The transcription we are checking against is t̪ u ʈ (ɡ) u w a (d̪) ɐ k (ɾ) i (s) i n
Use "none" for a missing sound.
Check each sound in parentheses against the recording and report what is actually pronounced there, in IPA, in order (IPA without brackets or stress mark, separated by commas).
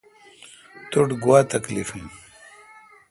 ɡ, t̪, l, f